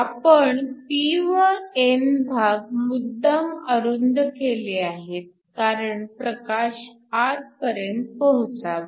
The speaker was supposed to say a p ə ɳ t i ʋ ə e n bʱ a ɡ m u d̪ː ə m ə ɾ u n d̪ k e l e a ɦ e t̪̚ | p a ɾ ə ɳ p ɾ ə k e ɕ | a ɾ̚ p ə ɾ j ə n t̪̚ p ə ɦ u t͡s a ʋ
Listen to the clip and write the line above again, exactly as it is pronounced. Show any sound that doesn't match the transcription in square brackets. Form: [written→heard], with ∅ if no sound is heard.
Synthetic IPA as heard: a p ə ɳ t i ʋ ə e n bʱ a ɡ m u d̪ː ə m ə ɾ u n d̪ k e l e a ɦ e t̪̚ | [p→k] a ɾ ə ɳ p ɾ ə k [e→a] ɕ | a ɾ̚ p ə ɾ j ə n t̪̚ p ə ɦ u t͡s a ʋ